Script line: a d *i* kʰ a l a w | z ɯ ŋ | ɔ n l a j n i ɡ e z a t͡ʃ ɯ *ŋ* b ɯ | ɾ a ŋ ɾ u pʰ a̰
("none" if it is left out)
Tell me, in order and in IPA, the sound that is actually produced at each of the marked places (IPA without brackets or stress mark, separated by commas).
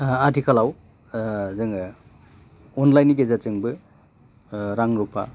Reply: i, ŋ